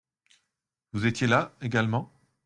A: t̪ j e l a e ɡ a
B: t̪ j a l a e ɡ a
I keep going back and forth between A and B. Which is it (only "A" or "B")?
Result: A